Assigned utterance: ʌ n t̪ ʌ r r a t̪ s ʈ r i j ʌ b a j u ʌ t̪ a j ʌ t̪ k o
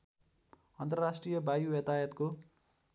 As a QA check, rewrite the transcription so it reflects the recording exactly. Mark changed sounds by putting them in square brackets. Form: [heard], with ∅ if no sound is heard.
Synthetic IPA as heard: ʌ n t̪ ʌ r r a [∅] s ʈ r i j ʌ b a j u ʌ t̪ a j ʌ t̪ k o